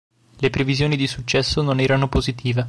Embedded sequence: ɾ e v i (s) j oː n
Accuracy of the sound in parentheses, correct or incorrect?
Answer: incorrect